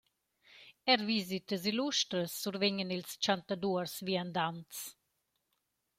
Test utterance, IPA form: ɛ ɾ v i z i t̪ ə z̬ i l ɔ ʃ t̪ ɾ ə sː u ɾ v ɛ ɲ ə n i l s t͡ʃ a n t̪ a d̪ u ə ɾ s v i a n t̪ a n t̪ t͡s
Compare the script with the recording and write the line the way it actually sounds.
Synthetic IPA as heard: ɛ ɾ v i z i t̪ ə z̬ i l u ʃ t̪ ɾ ə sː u ɾ v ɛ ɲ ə n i l s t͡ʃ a n t̪ a d̪ u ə ɾ s v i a n d̪ a n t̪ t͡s